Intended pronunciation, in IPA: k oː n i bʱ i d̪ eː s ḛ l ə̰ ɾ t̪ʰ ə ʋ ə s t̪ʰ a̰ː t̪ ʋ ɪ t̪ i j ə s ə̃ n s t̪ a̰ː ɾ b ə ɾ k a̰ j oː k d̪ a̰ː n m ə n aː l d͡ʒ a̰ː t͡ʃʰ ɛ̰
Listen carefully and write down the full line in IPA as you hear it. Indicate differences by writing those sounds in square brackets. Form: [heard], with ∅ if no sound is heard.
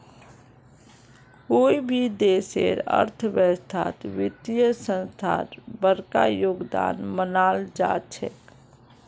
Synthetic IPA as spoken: k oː [∅] i bʱ i d̪ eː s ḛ [ɾ] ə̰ ɾ t̪ʰ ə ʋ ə s t̪ʰ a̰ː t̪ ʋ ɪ t̪ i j ə s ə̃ n s [t̪ʰ] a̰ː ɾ b ə ɾ k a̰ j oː [ɡ] d̪ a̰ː n m ə n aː l d͡ʒ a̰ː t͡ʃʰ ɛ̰